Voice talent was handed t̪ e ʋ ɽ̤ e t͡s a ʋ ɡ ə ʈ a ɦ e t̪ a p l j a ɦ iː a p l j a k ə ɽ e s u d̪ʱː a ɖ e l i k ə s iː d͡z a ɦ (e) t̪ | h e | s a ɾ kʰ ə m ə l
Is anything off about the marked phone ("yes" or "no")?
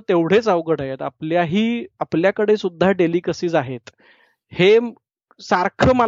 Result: no